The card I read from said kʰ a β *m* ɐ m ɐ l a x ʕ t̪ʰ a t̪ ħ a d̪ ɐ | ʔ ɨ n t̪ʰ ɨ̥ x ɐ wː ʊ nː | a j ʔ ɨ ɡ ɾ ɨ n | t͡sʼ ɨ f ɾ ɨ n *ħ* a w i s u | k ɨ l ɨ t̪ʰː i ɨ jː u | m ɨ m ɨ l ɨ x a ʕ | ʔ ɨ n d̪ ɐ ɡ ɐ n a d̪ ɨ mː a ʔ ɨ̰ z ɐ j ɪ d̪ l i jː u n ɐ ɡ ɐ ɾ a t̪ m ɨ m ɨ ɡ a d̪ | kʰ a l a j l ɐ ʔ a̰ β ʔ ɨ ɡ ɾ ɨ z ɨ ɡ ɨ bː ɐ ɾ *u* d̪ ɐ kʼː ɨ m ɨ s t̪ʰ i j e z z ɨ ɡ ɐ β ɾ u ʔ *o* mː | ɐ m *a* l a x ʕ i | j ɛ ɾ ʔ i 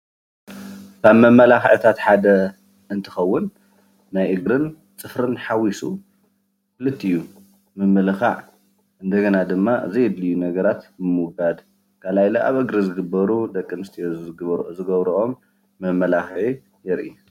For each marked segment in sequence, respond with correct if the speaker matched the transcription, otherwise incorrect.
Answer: correct, correct, correct, correct, incorrect: ɐ

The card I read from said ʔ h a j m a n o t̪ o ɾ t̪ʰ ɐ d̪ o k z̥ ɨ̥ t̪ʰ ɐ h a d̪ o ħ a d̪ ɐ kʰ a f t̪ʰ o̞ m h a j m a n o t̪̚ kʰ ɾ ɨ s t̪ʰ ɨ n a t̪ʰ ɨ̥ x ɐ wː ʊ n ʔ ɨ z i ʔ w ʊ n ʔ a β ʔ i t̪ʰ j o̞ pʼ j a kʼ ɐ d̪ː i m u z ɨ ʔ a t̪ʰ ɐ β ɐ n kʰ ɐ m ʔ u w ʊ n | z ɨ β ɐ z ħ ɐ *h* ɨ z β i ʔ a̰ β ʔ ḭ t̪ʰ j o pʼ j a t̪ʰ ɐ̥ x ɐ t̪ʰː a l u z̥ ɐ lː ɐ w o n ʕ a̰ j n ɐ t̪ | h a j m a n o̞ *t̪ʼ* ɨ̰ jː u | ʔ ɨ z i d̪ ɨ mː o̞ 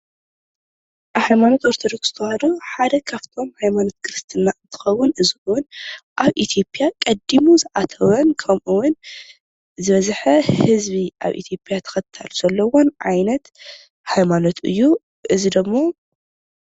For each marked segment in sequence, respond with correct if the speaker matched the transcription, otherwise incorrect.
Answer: correct, incorrect: t̪

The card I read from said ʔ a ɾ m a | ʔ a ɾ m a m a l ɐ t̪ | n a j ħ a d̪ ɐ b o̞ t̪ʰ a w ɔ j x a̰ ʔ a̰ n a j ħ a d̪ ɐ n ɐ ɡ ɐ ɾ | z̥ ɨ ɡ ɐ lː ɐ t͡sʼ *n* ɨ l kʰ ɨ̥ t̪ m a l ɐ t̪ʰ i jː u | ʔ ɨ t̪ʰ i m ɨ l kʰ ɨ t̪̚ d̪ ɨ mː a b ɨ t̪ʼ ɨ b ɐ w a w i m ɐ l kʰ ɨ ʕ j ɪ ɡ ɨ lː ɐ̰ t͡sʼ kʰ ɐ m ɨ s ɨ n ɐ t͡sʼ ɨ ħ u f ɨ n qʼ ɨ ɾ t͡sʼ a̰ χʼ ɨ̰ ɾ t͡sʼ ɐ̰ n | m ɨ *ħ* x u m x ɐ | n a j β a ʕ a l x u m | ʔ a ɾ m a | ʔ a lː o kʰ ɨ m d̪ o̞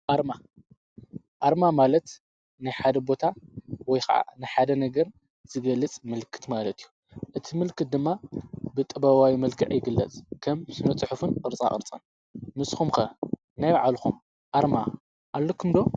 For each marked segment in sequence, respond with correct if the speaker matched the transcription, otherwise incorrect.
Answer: incorrect: m, incorrect: s

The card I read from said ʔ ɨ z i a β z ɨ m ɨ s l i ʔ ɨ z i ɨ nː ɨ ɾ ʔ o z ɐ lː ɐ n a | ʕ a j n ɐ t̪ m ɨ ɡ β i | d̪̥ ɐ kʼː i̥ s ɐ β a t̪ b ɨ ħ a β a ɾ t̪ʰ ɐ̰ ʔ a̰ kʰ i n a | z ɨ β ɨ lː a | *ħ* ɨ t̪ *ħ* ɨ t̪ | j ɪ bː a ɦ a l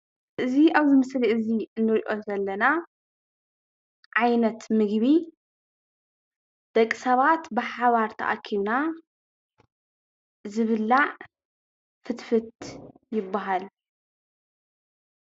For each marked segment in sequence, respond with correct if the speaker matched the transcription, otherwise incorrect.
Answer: incorrect: f, incorrect: f

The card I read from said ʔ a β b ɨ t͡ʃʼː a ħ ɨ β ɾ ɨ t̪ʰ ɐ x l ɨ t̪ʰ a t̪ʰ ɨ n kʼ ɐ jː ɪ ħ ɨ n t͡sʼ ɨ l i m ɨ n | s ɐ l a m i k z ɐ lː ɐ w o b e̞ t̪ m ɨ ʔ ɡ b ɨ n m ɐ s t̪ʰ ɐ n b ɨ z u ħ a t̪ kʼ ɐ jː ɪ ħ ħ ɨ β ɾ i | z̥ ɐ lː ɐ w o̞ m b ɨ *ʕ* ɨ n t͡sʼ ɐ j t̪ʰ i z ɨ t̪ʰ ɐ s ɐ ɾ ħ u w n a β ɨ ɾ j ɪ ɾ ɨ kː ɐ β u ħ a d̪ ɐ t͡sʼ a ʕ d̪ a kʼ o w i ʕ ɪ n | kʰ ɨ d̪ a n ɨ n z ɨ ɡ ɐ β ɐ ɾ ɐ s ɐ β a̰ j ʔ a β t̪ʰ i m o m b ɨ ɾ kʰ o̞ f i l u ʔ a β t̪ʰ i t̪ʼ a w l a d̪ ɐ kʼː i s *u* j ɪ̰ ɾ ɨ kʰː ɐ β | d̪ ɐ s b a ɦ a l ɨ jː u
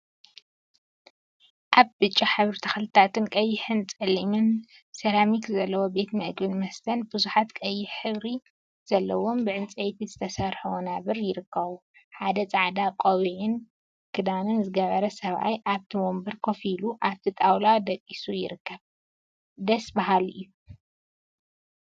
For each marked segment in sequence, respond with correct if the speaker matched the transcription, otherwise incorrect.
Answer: correct, correct

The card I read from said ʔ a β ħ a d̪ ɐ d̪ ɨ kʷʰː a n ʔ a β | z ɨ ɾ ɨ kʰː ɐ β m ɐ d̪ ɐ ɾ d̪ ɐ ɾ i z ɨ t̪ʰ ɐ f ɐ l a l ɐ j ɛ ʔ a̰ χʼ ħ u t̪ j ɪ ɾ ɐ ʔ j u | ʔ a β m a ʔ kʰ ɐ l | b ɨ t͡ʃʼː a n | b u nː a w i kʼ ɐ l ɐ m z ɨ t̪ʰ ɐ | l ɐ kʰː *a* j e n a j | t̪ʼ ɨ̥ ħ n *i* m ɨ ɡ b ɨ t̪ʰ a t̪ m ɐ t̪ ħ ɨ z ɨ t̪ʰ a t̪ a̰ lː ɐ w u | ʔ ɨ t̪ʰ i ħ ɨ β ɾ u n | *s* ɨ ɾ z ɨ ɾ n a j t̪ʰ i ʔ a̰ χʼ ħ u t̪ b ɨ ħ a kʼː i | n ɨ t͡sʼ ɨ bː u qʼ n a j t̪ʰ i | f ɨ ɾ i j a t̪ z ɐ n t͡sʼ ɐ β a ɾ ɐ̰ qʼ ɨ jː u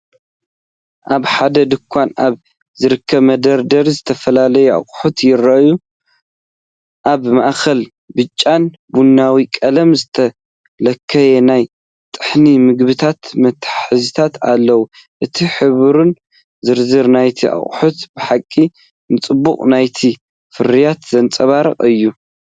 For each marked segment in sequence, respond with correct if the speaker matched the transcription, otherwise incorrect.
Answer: incorrect: ɐ, correct, incorrect: z

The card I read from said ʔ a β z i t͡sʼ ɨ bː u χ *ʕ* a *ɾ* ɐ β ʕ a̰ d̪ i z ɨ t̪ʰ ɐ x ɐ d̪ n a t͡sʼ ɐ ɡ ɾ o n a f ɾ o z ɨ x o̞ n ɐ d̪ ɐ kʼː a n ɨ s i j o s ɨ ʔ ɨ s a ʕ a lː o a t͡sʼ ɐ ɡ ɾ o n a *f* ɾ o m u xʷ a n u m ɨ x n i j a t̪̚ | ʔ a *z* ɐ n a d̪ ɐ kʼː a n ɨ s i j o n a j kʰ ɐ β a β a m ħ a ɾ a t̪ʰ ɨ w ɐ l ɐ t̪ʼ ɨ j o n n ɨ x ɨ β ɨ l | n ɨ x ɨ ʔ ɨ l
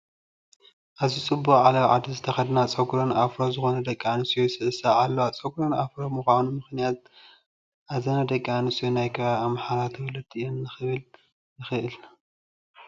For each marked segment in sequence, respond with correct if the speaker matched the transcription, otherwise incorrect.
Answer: correct, incorrect: l, correct, correct

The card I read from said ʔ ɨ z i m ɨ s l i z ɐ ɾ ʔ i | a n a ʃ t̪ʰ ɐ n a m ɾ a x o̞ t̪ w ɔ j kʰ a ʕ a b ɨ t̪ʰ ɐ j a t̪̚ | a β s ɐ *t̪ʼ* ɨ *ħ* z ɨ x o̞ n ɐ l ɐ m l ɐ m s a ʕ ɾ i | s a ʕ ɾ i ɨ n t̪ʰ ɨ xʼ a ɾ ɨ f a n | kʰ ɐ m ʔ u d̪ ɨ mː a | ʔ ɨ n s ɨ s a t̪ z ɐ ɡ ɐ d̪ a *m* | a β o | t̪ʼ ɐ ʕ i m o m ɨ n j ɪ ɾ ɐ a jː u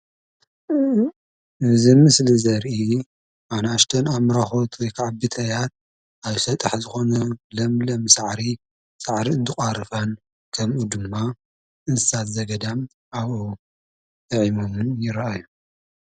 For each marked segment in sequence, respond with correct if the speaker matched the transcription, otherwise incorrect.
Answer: correct, correct, correct

